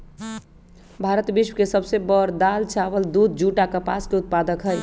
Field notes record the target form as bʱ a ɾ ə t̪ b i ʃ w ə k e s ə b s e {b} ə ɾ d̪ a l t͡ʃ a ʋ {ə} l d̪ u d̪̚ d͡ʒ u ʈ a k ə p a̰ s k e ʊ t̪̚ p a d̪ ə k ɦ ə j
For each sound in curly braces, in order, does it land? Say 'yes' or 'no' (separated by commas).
yes, yes